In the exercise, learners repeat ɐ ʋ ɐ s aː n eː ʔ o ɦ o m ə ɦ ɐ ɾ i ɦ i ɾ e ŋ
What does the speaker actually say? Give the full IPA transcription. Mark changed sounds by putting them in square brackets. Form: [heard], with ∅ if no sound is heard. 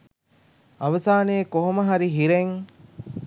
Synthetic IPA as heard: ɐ ʋ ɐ s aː n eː [k] o ɦ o m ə ɦ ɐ ɾ i ɦ i ɾ e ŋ